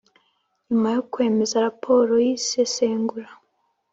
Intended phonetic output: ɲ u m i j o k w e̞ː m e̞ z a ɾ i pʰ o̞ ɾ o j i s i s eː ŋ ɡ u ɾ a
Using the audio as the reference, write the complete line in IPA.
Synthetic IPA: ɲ u m a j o k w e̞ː m e̞ z a ɾ a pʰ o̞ ɾ o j i s e s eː ŋ ɡ u ɾ a